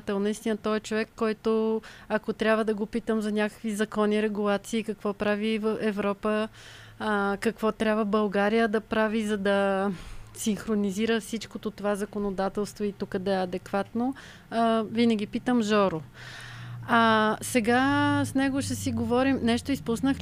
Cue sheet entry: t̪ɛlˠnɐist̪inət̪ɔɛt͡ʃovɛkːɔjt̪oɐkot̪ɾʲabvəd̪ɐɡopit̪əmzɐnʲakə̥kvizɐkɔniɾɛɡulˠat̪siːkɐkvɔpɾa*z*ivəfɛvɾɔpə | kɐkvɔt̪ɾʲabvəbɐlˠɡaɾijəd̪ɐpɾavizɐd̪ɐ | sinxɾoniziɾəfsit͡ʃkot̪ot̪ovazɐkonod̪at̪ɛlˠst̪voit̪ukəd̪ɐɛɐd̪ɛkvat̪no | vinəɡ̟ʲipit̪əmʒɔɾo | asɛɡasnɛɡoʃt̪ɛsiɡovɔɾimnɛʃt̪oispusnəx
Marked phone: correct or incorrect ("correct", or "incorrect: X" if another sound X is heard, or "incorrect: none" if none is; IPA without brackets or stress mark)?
incorrect: v